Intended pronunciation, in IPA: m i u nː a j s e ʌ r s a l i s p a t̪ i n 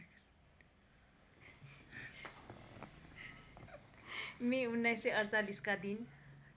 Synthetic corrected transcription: m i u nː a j s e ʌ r t͡s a l i s k a d̪ i n